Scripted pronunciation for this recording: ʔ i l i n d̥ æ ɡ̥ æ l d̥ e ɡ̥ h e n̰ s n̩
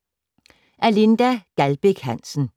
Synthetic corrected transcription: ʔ æ l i n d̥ æ ɡ̥ æ l b̥ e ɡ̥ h æ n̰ s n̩